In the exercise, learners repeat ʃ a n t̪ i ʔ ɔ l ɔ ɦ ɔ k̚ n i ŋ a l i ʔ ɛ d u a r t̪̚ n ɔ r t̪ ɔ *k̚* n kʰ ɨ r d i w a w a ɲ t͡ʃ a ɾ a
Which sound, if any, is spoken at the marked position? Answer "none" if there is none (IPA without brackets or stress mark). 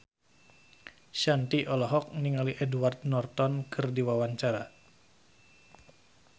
none